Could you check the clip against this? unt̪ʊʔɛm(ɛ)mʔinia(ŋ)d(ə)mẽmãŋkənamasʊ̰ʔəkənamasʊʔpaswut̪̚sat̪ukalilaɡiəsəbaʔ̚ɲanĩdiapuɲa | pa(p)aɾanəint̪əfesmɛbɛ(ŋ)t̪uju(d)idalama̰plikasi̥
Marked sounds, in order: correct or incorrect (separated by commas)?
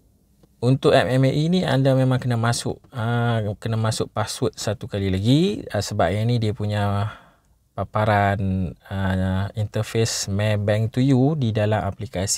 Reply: correct, incorrect, incorrect, correct, correct, correct